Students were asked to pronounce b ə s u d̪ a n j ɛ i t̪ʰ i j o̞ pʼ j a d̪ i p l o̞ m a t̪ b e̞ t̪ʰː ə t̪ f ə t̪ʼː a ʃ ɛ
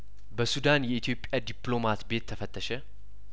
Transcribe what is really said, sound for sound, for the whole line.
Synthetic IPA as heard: b ə s u d̪ a n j ɛ i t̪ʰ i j o̞ pʼ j a d̪ i p l o̞ m a t̪ b e̞ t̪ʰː ə f ə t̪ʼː ə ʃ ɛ